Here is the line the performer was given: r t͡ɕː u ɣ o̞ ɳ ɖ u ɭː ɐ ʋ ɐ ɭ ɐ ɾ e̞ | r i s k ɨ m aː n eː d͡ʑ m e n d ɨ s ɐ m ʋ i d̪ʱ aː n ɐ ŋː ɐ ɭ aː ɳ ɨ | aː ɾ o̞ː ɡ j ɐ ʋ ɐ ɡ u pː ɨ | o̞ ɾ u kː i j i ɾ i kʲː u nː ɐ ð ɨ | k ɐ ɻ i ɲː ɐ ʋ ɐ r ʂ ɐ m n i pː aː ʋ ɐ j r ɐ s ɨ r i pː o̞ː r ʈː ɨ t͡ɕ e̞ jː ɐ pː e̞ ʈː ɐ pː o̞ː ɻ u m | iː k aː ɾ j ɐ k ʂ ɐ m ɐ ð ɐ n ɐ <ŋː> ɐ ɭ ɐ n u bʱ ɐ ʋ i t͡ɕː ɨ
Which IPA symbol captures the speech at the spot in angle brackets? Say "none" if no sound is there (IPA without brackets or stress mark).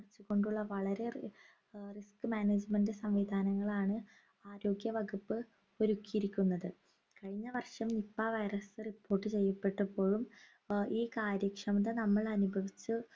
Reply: mː